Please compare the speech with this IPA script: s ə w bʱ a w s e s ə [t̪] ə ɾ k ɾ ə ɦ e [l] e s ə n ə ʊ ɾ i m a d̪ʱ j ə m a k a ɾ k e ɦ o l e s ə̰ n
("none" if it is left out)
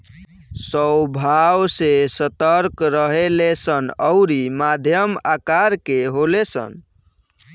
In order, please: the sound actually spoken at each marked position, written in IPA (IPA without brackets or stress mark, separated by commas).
t̪, l